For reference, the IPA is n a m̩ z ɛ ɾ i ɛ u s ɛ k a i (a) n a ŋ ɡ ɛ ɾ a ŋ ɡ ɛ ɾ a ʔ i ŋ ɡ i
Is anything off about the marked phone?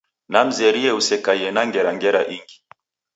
yes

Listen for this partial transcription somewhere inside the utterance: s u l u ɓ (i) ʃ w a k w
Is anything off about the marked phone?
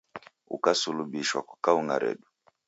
no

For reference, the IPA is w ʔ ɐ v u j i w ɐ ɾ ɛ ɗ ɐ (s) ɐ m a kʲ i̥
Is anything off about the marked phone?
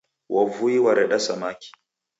no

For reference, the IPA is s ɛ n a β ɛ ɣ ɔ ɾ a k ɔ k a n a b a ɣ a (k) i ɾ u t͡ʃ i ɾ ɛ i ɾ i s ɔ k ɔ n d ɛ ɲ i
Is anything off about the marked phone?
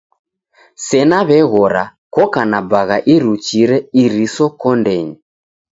yes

